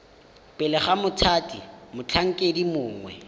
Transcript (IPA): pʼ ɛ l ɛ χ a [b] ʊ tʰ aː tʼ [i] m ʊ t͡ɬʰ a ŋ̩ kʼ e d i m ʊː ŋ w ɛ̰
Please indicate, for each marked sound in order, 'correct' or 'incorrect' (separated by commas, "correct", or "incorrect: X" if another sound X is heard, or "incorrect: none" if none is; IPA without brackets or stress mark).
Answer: incorrect: m, correct